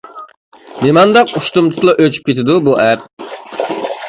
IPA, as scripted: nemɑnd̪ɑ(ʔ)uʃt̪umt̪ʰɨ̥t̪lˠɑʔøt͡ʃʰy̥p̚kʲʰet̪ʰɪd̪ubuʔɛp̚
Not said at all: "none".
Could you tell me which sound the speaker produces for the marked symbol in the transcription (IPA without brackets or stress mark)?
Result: q